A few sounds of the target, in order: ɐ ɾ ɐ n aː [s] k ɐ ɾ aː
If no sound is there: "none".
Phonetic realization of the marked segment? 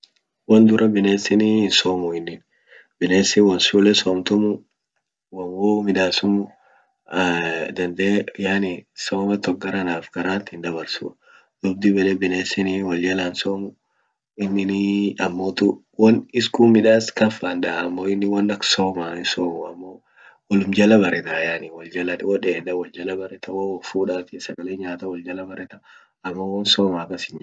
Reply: f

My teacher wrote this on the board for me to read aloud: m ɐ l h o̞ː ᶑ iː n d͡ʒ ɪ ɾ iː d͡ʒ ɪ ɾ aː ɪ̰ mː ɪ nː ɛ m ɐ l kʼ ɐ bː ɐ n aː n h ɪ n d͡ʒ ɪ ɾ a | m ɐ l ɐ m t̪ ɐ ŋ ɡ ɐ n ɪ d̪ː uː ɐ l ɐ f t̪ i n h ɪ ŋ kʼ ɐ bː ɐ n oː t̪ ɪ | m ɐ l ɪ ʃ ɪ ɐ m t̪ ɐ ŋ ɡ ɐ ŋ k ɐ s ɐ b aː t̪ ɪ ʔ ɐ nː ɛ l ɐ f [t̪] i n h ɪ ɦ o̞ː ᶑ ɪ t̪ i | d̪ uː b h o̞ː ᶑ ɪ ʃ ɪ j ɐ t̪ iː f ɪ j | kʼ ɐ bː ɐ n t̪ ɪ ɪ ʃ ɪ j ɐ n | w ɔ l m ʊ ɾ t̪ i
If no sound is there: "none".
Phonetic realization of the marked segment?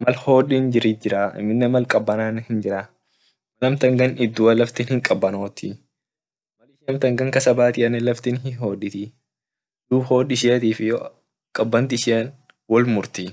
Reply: t̪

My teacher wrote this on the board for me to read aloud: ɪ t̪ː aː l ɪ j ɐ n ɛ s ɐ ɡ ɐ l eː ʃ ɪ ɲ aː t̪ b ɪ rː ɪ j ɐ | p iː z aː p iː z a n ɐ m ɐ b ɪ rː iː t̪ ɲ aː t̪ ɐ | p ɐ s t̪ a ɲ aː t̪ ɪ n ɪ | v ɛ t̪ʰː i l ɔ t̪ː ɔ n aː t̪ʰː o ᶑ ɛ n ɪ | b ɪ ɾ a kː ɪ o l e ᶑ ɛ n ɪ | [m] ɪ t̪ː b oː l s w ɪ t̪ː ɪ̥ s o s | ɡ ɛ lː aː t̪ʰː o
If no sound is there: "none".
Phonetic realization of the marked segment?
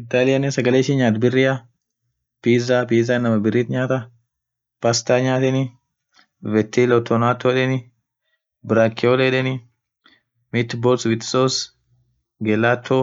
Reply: m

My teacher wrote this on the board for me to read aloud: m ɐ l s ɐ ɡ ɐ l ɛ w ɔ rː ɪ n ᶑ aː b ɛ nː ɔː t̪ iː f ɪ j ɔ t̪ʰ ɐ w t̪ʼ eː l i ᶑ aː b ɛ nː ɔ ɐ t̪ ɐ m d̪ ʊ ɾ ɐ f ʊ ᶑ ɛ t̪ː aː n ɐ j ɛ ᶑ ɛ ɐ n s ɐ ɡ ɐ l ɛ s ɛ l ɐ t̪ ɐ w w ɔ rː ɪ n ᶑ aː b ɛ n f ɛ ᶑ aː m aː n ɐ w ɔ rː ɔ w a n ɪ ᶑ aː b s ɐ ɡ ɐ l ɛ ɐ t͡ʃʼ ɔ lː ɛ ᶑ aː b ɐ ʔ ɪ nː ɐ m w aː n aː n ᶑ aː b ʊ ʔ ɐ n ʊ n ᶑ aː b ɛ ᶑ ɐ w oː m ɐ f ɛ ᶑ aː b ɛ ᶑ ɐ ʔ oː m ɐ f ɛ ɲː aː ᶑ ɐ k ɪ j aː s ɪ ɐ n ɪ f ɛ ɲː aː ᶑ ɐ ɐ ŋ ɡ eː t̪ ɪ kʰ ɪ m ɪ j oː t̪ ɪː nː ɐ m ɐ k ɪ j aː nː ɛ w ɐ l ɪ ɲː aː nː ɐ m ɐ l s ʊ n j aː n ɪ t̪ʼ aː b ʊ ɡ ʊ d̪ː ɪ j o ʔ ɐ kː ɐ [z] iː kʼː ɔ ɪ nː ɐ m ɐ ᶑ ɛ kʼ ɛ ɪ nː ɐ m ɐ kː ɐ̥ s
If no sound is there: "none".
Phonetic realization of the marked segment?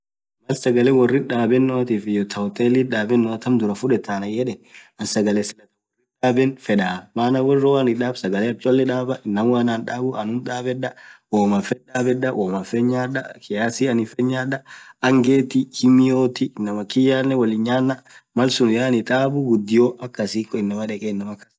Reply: s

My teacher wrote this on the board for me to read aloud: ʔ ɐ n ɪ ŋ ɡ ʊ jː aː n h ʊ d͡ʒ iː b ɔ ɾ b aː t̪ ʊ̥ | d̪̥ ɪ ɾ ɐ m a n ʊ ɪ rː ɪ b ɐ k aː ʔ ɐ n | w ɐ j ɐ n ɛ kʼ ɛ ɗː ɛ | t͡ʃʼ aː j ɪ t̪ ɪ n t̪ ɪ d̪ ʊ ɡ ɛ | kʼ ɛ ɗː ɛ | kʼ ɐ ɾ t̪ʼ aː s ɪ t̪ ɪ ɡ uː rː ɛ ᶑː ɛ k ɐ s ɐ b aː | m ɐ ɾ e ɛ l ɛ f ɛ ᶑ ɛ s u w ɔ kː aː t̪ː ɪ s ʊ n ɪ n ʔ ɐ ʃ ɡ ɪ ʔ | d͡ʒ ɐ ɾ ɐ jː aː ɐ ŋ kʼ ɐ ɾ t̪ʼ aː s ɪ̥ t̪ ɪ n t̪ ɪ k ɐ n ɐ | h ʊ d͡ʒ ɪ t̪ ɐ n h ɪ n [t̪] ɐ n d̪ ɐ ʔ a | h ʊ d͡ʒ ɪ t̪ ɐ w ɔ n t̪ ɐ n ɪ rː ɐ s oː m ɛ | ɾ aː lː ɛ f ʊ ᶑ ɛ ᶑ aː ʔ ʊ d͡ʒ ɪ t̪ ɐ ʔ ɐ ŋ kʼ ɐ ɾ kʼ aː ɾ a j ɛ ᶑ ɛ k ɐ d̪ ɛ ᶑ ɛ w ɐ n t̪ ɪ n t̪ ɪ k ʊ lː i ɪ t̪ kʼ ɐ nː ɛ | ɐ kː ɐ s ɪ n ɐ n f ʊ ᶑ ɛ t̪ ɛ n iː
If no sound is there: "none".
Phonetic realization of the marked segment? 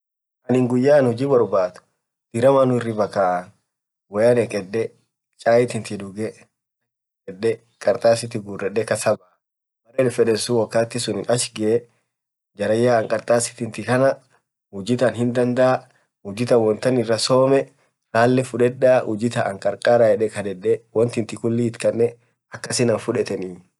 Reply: d̪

